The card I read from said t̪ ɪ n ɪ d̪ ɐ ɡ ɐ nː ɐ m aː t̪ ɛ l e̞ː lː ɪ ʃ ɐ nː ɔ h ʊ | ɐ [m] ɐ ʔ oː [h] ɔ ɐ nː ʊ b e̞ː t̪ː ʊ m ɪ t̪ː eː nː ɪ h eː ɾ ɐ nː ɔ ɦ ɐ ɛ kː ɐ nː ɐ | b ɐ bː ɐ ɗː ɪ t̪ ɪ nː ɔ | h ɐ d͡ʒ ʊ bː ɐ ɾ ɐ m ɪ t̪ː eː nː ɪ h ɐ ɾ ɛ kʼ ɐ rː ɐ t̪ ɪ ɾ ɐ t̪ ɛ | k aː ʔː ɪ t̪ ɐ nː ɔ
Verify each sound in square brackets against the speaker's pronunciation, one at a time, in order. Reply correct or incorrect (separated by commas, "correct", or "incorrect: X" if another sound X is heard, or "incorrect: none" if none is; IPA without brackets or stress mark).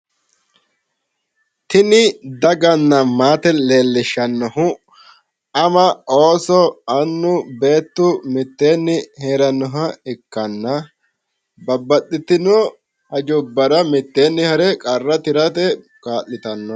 correct, incorrect: s